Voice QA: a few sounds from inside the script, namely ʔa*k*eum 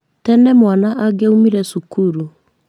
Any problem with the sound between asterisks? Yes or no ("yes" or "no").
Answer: yes